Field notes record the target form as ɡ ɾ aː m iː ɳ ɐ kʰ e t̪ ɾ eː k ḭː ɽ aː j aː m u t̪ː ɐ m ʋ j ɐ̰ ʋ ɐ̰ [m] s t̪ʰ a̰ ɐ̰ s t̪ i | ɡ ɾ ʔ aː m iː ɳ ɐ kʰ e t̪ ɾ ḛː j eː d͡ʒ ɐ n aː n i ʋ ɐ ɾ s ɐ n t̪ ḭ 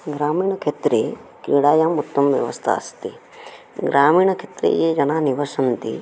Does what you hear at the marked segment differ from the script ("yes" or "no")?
yes